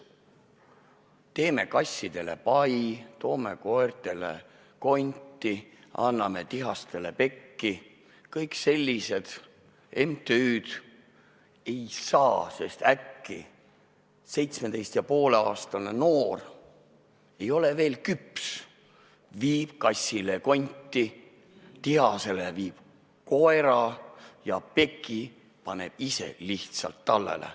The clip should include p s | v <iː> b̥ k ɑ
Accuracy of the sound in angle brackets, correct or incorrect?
correct